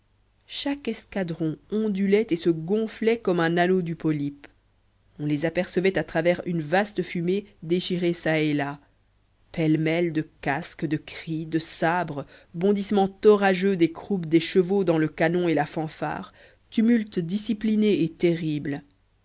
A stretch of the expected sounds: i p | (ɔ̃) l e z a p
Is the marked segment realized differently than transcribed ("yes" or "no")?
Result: no